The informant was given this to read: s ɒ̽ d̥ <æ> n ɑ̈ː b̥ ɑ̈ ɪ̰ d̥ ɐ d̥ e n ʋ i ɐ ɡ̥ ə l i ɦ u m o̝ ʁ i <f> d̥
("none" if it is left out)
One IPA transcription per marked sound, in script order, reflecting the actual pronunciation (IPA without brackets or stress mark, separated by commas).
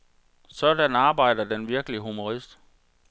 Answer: æ, s